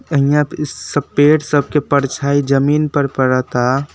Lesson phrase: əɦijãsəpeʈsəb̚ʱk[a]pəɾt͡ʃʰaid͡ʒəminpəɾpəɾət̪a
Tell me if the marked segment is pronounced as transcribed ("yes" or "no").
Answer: no